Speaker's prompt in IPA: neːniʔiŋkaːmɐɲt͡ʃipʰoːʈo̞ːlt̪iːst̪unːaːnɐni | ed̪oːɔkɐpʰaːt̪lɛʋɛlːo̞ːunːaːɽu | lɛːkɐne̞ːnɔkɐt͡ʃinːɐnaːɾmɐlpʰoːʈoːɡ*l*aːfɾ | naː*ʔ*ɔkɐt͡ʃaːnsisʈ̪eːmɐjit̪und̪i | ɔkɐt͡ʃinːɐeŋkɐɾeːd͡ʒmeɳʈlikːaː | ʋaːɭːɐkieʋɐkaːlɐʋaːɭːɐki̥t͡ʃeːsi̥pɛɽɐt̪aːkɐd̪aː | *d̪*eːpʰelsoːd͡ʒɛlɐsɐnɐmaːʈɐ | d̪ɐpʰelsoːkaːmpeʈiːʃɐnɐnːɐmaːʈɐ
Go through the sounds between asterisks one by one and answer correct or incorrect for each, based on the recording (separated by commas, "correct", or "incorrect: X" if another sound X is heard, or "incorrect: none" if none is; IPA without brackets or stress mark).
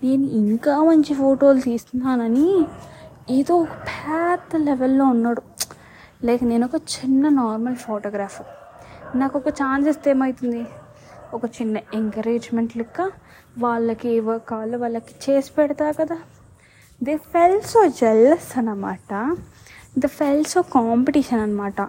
incorrect: ɾ, incorrect: k, correct